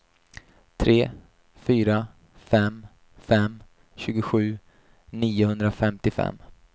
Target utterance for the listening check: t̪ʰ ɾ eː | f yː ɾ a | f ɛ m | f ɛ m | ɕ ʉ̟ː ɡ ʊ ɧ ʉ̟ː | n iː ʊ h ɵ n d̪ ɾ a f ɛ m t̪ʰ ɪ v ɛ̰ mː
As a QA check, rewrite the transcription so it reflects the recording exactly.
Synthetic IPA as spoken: t̪ʰ ɾ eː | f yː ɾ a | f ɛ m | f ɛ m | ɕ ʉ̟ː ɡ ʊ ɧ ʉ̟ː | n iː ʊ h ɵ n d̪ ɾ a f ɛ m t̪ ɪ f ɛ̰ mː